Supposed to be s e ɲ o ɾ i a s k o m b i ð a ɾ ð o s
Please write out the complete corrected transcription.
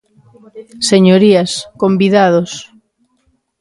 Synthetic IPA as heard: s e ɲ o ɾ i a s k o m b i ð a ð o s